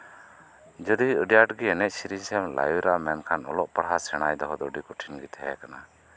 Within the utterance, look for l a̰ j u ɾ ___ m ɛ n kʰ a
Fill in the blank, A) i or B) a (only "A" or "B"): B